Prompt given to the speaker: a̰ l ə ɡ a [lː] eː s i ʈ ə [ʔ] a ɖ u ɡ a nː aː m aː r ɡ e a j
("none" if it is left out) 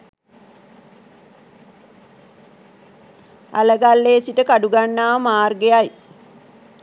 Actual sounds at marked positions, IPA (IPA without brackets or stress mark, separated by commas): lː, k